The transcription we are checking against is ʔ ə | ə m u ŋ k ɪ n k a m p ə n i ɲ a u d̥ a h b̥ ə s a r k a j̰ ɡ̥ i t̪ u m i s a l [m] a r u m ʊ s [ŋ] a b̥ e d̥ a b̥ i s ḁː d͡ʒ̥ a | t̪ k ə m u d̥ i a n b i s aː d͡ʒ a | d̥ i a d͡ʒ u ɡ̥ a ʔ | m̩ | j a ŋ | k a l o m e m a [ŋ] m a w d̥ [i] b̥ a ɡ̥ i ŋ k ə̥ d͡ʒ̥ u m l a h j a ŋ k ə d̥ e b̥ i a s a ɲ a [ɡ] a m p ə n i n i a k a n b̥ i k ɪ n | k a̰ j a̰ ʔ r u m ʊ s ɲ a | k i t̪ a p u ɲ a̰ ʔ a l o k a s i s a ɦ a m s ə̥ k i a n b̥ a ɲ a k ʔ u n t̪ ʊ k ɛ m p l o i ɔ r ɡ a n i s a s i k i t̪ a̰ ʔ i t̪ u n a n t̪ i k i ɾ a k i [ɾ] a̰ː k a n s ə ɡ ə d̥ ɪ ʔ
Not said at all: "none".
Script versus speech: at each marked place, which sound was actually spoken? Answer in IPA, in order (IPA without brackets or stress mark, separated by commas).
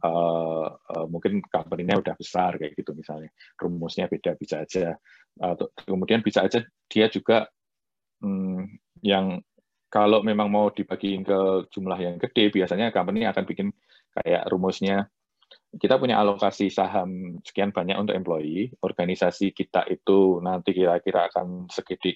ɲ, ɲ, ŋ, i, k, ɾ